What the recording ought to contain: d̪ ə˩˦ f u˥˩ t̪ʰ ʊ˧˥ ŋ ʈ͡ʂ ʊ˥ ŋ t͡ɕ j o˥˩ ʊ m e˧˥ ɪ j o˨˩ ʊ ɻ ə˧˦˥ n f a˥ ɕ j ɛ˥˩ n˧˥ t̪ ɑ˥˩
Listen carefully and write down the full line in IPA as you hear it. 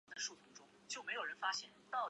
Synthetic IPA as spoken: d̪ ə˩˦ ʂ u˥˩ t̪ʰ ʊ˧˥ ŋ ʈ͡ʂ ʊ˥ ŋ t͡ɕ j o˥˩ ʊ m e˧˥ ɪ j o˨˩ ʊ ɻ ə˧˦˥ n f a˥ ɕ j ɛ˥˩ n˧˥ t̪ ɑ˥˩